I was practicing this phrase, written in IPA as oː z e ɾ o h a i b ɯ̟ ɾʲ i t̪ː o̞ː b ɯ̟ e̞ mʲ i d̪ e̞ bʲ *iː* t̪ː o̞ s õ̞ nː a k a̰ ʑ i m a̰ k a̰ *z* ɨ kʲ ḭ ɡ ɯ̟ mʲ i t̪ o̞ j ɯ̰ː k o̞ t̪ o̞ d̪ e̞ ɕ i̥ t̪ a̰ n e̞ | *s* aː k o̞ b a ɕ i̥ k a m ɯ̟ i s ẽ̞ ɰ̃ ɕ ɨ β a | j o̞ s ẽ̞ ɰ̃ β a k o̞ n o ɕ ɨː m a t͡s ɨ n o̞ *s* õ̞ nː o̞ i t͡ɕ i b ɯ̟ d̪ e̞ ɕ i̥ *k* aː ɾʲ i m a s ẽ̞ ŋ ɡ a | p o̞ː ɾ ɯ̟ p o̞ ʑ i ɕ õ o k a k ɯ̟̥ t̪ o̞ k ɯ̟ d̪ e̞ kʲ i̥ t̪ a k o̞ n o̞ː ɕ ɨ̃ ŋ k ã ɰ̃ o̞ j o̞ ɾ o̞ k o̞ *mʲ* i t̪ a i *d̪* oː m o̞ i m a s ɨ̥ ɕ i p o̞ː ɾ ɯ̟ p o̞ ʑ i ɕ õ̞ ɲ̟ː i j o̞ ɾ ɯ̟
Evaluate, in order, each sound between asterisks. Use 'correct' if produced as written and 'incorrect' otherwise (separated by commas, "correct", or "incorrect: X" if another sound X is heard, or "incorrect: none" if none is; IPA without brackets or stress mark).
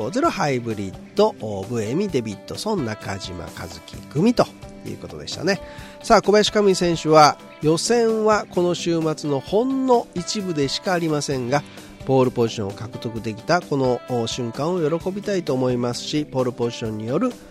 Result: incorrect: i, correct, correct, incorrect: h, correct, incorrect: bʲ, incorrect: t̪